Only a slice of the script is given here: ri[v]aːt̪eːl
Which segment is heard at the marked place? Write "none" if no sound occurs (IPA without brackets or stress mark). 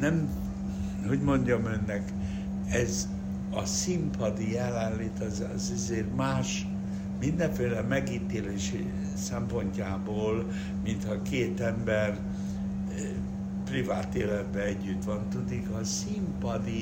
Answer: v